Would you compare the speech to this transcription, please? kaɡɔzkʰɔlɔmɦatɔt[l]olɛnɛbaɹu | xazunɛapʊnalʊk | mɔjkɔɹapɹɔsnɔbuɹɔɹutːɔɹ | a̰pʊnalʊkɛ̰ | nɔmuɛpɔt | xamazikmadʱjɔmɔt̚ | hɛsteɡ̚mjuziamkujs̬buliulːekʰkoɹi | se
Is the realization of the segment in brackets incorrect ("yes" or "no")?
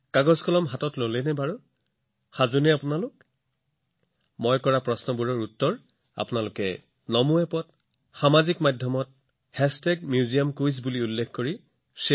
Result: no